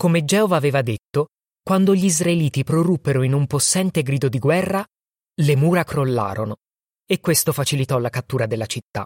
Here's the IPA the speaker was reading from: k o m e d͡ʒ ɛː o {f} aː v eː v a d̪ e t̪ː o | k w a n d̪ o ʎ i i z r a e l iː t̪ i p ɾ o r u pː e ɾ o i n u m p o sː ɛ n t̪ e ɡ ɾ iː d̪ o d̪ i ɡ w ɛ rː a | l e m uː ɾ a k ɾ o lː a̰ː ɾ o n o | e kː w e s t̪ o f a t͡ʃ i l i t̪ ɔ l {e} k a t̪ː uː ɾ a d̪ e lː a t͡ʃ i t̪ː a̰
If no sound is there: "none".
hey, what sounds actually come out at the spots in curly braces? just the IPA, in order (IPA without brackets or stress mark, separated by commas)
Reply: v, a